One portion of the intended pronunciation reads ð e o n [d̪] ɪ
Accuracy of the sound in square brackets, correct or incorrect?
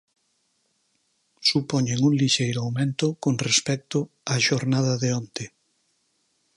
incorrect